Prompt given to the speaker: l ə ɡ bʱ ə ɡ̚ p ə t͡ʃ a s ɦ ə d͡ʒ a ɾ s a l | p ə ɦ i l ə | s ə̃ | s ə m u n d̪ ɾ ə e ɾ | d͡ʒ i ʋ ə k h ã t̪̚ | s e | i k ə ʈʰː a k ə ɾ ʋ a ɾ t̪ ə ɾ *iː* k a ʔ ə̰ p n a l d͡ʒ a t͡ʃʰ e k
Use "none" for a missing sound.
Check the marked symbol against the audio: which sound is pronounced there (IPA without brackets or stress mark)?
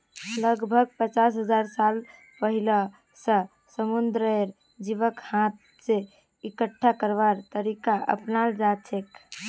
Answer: i